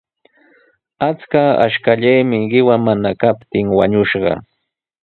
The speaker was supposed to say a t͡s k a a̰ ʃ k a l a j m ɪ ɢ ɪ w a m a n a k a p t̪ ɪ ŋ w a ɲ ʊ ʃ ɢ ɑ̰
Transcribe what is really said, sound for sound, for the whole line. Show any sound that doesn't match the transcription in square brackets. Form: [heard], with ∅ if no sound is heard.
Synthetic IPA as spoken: a t͡s k a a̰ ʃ k a [ʎ] a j m ɪ ɢ ɪ w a m a n a k a p t̪ ɪ ŋ w a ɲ ʊ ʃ ɢ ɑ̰